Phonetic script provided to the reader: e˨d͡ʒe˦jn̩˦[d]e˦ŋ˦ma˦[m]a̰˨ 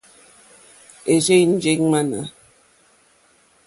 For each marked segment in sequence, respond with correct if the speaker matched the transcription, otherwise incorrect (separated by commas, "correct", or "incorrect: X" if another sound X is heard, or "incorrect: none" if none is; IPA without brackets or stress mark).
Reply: incorrect: d͡ʒ, incorrect: n